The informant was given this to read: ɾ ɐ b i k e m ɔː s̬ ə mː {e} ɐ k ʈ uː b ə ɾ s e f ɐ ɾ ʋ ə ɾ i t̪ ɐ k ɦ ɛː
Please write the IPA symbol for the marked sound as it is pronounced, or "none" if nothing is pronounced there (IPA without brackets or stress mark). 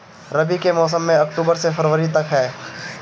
ẽ